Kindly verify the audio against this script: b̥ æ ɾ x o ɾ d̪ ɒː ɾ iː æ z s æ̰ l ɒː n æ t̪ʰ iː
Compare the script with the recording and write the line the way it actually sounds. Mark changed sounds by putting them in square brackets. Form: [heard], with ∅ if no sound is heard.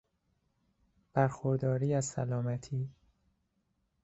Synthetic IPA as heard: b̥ æ ɾ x o ɾ d̪ ɒː ɾ iː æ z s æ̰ l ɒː [m] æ t̪ʰ iː